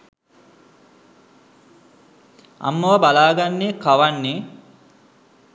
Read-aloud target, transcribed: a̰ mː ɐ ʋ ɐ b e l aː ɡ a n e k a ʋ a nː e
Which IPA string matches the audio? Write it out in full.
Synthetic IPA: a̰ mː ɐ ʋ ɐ b a l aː ɡ a nː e k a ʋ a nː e